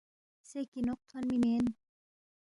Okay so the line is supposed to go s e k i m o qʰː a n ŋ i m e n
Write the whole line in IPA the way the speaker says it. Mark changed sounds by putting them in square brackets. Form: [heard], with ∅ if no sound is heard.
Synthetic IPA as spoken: s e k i [n] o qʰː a n [m] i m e n